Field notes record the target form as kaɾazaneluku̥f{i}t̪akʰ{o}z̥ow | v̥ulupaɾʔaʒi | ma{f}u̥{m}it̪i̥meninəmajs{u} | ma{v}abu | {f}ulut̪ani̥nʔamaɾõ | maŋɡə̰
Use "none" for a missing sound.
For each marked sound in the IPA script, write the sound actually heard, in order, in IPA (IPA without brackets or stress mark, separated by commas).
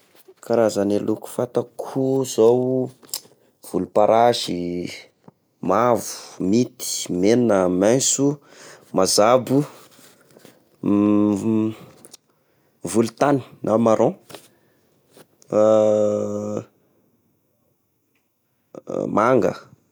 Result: a, u, v, m, u, z, v